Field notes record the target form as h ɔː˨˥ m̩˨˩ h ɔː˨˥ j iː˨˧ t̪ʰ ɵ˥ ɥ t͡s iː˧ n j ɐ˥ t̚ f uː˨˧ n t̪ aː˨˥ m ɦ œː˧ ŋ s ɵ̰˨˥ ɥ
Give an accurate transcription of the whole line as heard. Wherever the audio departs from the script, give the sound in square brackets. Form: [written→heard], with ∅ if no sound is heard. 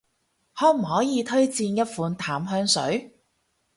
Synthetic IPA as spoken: h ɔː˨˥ m̩˨˩ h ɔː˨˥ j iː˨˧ t̪ʰ ɵ˥ ɥ t͡s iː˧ n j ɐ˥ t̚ f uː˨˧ n [t̪→t̪ʰ] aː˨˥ m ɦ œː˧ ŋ s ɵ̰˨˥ ɥ